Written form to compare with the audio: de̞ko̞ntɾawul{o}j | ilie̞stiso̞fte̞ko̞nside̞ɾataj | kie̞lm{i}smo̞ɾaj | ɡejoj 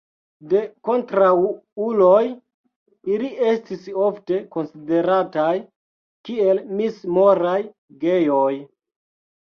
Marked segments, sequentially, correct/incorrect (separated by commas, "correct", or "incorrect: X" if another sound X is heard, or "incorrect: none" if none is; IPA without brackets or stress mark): correct, correct